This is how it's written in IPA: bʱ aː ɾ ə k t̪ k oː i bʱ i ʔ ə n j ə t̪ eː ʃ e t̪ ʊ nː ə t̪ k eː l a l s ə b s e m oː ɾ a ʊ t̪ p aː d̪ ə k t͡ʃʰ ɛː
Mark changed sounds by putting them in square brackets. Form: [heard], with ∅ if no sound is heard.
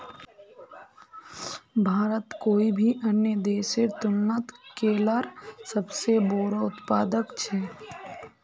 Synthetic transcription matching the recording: bʱ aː ɾ ə [∅] t̪ k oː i bʱ i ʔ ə n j ə [d̪] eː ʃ e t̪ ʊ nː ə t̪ k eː l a [ɾ] s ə b s e [b] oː ɾ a ʊ t̪ p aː d̪ ə k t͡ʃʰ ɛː